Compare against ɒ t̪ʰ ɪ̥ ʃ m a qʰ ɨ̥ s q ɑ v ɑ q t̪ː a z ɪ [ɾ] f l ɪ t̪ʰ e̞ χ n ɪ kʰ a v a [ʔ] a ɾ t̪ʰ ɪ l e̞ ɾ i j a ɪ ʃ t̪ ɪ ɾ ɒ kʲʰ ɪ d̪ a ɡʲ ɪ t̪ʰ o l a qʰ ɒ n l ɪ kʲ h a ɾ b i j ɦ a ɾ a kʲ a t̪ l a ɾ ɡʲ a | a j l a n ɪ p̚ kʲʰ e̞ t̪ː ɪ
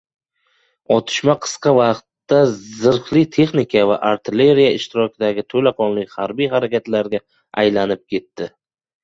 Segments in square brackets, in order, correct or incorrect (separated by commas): correct, correct